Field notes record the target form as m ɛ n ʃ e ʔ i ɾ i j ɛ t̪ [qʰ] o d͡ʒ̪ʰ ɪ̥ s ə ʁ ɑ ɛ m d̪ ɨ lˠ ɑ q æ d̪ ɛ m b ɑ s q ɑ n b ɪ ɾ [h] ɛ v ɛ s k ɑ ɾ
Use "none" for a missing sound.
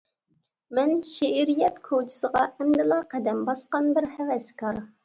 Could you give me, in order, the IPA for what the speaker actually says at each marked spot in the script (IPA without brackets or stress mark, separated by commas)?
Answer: kʰ, h